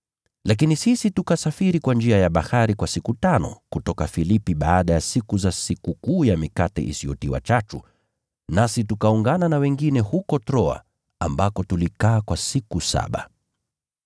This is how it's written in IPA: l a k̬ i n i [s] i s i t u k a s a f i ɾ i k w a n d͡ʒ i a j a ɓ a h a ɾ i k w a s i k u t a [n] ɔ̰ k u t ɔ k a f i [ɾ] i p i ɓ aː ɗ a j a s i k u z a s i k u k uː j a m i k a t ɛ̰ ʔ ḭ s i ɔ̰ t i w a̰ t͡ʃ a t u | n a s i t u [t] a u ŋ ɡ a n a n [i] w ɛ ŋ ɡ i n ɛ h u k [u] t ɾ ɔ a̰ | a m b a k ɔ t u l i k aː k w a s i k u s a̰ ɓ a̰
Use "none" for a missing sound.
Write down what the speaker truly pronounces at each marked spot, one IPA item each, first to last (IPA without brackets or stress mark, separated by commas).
s, n, l, k, a, ɔ